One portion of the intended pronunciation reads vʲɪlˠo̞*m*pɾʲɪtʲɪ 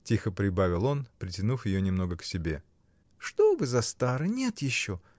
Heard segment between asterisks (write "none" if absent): n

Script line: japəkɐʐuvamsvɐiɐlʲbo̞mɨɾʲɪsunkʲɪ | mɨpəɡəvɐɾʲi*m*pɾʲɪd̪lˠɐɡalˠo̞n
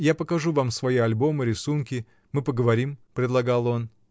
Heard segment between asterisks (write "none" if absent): m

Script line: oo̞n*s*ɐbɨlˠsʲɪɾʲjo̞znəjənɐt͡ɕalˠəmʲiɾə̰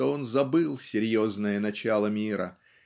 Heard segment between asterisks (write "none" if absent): z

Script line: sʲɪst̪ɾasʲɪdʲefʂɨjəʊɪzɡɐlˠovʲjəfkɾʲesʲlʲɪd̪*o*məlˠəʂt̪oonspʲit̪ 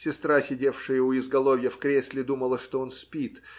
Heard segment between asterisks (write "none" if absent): u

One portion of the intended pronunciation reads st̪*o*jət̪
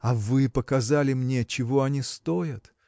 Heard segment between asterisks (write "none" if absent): o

